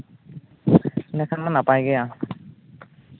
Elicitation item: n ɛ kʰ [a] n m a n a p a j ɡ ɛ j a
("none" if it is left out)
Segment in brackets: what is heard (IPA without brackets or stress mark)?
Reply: a